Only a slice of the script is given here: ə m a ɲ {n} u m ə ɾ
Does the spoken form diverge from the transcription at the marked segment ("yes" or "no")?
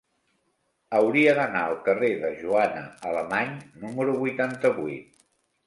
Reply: no